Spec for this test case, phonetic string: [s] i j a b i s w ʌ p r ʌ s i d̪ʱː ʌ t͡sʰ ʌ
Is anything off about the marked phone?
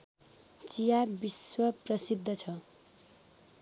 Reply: yes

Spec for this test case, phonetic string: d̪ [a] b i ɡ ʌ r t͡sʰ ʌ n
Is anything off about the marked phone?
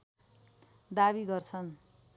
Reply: no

